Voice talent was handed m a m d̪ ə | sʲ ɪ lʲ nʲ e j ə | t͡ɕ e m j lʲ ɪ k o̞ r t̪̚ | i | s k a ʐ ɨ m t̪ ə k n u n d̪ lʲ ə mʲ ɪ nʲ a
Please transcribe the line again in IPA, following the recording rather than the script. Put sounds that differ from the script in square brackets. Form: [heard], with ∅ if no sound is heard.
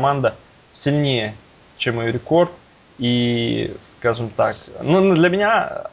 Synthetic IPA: m a [n] d̪ ə | sʲ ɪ lʲ nʲ e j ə | t͡ɕ e m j [ɾʲ] ɪ k o̞ r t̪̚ | i | s k a ʐ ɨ m t̪ [a] k n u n d̪ lʲ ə mʲ ɪ nʲ a